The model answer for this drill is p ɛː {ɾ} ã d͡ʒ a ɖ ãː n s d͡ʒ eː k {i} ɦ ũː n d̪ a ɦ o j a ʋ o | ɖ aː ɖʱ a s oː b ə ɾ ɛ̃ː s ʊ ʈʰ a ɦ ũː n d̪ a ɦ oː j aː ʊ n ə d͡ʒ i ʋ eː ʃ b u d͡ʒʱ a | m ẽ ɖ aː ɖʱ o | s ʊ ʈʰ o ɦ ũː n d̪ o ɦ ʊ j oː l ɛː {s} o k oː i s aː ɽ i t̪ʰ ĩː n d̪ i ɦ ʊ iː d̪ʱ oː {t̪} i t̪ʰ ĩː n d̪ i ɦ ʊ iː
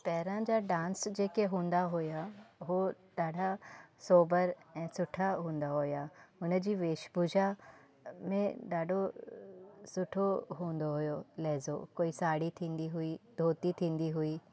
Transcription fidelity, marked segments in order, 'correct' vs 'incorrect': correct, incorrect, incorrect, correct

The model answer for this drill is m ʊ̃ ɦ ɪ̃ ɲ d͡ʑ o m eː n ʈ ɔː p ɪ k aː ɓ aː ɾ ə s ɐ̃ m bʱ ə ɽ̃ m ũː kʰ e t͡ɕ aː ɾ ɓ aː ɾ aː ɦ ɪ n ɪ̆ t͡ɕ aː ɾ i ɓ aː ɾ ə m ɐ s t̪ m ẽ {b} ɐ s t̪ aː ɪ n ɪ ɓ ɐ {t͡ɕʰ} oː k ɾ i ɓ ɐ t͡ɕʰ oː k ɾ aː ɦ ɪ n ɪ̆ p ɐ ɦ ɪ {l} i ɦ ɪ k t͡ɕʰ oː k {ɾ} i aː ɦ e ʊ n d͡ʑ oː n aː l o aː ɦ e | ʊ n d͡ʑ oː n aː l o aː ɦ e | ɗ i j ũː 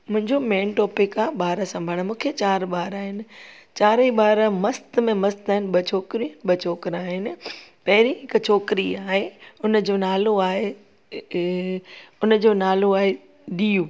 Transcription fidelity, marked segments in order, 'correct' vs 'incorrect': incorrect, correct, incorrect, correct

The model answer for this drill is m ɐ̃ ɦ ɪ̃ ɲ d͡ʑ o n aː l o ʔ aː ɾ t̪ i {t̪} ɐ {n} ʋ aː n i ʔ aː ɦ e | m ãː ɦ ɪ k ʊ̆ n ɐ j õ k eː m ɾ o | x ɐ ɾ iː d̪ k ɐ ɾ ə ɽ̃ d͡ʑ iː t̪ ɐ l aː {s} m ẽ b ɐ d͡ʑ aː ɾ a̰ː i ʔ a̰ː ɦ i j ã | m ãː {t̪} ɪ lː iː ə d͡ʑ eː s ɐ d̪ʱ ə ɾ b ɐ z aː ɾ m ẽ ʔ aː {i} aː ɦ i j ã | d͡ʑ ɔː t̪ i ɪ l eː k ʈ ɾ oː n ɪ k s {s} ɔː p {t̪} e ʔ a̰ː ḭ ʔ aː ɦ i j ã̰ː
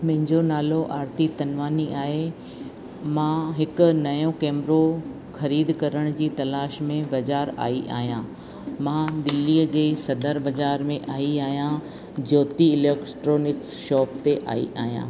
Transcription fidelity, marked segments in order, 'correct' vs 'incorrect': correct, correct, incorrect, incorrect, correct, incorrect, correct

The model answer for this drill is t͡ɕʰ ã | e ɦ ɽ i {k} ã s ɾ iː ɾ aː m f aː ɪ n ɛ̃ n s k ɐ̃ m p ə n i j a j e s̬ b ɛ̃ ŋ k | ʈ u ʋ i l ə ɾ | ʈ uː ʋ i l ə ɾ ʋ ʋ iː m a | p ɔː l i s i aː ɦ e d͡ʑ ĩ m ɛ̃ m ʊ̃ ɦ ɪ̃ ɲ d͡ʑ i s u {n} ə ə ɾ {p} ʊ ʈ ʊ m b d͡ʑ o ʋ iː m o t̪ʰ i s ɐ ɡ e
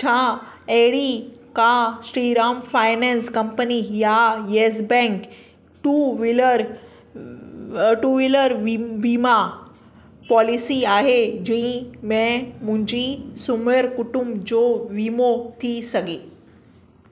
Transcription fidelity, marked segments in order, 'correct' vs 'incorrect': correct, incorrect, incorrect

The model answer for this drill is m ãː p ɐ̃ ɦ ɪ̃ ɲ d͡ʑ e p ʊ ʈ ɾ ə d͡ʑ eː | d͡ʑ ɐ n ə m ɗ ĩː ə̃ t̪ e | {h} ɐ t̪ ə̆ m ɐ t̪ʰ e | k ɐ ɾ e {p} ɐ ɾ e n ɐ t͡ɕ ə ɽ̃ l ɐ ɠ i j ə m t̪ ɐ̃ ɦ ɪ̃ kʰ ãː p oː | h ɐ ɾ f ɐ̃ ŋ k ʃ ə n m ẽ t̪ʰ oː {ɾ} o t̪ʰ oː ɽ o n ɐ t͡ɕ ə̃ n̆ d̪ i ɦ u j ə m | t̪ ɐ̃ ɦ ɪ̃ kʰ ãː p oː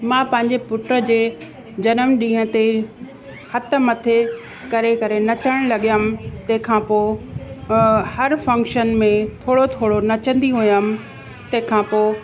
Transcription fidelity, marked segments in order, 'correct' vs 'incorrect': correct, incorrect, incorrect

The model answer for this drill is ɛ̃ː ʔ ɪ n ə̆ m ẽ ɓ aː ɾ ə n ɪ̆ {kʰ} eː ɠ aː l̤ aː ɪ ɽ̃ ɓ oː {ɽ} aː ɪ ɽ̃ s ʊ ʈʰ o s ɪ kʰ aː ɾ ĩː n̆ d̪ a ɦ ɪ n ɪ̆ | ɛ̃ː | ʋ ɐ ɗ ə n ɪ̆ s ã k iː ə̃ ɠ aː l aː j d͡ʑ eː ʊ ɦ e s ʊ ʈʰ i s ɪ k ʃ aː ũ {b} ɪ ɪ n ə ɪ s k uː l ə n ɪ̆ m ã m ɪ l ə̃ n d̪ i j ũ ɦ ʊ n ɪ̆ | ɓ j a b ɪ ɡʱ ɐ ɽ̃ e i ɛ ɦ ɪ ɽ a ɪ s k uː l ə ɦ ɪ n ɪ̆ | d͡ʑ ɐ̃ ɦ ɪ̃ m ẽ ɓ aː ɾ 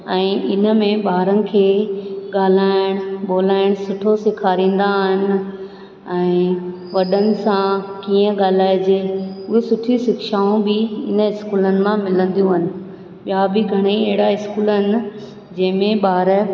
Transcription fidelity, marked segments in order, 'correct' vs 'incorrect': correct, incorrect, correct

